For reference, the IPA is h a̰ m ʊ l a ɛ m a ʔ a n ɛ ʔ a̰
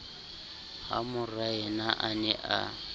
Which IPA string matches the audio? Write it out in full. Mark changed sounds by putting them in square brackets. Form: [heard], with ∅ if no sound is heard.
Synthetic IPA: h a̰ m ʊ [r] a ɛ [n] a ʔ a n ɛ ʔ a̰